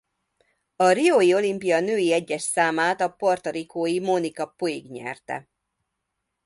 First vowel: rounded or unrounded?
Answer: rounded